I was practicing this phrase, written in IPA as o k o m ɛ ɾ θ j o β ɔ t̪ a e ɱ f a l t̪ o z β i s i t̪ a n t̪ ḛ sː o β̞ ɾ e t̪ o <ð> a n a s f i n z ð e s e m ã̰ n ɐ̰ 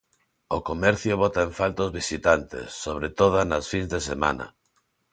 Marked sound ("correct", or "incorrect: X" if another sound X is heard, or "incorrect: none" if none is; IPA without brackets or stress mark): correct